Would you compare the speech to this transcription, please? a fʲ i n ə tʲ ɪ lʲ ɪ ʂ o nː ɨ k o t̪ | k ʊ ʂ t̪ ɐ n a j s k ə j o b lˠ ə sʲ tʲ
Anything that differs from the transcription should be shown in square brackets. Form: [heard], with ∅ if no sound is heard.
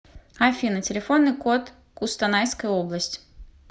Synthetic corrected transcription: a fʲ i n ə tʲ ɪ lʲ ɪ [f] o nː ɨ k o t̪ | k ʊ [s] t̪ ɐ n a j s k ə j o b lˠ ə sʲ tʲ